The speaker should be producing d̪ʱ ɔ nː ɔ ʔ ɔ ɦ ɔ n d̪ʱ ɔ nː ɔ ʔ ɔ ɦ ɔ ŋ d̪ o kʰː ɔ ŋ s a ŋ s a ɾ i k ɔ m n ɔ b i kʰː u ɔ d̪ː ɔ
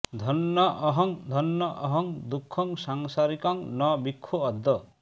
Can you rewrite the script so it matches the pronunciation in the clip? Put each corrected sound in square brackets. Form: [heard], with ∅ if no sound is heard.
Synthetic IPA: d̪ʱ ɔ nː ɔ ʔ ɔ ɦ ɔ [ŋ] d̪ʱ ɔ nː ɔ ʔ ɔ ɦ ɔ ŋ d̪ [u] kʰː ɔ ŋ s a ŋ s a ɾ i k ɔ [ŋ] n ɔ b i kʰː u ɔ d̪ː ɔ